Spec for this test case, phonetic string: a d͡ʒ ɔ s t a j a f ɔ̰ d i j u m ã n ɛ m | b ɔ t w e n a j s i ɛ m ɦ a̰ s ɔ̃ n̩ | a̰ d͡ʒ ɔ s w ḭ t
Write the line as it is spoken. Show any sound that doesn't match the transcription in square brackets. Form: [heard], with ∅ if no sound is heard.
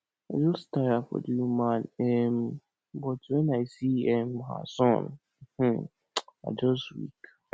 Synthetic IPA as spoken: a d͡ʒ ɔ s t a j a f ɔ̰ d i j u m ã n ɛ m | b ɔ t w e n a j s i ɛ m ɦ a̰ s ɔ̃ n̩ | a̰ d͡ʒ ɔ s w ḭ [k]